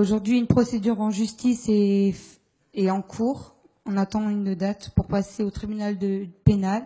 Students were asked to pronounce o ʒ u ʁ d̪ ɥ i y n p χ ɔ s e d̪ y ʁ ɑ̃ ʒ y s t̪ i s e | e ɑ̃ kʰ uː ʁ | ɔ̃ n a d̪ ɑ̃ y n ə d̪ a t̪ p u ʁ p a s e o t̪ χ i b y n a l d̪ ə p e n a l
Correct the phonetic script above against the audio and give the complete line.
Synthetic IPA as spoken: o ʒ u ʁ d̪ ɥ i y n p χ ɔ s e d̪ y ʁ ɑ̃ ʒ y s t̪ i s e | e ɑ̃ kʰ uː ʁ | ɔ̃ n a t̪ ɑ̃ y n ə d̪ a t̪ p u ʁ p a s e o t̪ χ i b y n a l d̪ ə p e n a l